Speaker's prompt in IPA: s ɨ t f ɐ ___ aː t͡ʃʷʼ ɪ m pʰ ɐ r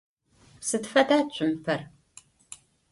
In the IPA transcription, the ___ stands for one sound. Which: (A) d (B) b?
A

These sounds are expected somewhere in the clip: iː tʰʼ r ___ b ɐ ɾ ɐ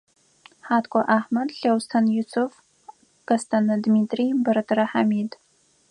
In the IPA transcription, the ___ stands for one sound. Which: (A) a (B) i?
B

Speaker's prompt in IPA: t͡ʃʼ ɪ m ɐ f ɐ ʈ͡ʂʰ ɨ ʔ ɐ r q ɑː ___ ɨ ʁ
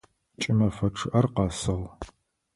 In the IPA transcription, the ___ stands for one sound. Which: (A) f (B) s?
B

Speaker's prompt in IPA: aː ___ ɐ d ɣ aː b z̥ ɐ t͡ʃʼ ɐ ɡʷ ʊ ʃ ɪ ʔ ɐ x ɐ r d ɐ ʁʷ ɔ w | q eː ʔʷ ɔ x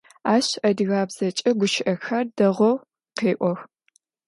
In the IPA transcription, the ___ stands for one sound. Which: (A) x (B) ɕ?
B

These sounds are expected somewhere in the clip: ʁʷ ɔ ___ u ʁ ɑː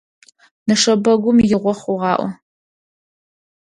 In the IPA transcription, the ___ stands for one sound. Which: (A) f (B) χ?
B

